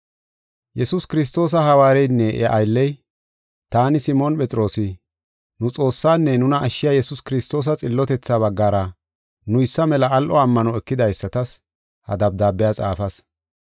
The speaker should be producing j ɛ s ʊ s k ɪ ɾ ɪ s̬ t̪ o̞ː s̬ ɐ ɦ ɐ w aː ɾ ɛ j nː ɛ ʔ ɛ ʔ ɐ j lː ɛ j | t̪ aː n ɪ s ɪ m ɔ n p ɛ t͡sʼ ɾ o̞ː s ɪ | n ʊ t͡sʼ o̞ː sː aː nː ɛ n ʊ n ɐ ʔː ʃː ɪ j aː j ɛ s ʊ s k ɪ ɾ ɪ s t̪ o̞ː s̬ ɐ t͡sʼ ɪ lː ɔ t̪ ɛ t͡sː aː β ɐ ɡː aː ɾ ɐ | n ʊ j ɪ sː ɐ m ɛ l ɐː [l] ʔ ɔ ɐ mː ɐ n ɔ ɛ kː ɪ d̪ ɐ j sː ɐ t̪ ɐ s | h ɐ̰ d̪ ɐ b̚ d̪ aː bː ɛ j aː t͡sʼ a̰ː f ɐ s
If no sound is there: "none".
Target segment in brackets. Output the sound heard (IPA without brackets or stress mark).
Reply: l